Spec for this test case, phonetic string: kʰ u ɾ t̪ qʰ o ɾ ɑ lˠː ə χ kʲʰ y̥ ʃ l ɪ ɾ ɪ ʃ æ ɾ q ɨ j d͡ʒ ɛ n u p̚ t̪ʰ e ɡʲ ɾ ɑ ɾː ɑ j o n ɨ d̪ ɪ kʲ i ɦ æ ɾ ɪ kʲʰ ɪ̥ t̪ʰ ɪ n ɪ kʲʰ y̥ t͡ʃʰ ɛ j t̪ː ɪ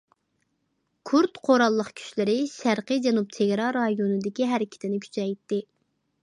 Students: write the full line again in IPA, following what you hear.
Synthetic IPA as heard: kʰ u ɾ t̪ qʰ o ɾ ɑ lˠː ə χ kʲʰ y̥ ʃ l ɪ ɾ ɪ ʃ æ ɾ q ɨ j d͡ʒ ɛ n u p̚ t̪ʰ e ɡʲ ɾ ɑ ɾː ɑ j o n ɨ d̪ ɪ kʲ i ɦ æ ɾ ɪ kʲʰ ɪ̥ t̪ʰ ɪ n ɪ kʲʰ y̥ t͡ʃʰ ɛ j t̪ː ɪ